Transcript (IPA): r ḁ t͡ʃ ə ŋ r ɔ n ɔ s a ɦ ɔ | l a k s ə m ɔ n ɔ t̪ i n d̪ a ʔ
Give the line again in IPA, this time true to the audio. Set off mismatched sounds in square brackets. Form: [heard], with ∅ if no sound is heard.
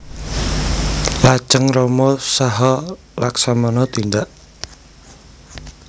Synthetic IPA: [l] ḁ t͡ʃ ə ŋ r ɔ [m] ɔ s a ɦ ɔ | l a k s [a] m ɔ n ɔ t̪ i n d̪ a ʔ